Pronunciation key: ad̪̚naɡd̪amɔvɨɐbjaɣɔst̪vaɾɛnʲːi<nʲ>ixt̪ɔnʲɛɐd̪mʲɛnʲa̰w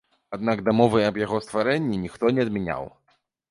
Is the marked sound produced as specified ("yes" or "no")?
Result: yes